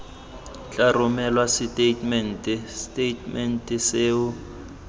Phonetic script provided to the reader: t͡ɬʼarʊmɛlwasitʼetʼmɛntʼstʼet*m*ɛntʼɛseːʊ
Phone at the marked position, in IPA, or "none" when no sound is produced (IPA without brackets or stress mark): m